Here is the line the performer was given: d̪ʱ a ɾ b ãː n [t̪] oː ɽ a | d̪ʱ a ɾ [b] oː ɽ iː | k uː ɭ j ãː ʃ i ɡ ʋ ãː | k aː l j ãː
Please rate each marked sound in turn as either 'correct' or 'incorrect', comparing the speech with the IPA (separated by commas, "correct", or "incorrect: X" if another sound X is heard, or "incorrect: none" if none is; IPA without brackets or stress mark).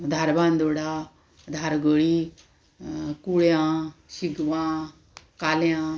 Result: incorrect: d̪, incorrect: ɡ